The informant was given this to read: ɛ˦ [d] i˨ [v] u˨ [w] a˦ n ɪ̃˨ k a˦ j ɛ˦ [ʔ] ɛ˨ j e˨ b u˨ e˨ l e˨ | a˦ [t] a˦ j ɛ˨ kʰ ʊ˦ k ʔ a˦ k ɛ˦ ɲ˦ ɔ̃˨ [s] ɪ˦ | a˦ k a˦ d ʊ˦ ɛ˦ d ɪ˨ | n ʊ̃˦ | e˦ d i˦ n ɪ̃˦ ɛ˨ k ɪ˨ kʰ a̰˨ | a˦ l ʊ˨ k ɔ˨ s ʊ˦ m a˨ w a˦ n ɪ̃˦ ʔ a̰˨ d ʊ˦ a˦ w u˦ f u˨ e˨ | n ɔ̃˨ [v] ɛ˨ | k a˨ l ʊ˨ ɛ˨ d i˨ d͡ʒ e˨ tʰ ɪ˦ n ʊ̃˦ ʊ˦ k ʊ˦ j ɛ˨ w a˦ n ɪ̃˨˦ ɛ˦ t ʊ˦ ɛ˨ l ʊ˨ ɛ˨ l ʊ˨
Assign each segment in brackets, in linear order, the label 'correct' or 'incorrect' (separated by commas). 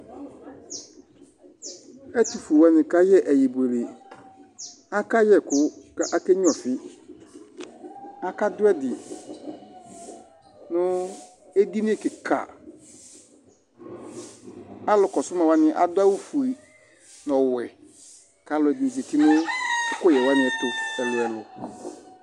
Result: incorrect, incorrect, correct, correct, incorrect, incorrect, incorrect